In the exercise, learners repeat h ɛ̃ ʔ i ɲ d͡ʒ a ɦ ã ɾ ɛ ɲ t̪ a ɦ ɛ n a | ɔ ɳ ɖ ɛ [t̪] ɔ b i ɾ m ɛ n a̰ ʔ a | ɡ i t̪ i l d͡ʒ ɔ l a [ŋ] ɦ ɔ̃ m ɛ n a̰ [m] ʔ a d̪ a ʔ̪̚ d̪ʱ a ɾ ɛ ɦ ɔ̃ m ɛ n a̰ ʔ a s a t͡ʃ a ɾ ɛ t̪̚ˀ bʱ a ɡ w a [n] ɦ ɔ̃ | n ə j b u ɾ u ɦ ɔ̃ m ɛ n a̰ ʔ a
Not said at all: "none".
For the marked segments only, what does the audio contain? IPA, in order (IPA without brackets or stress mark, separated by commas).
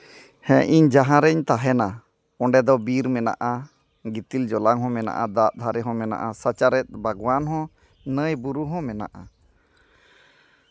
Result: d̪, ŋ, none, n